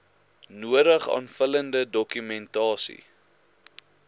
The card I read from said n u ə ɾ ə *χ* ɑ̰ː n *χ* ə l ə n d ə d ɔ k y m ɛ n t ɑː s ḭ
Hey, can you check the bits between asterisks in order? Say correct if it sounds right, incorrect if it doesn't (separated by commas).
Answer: correct, incorrect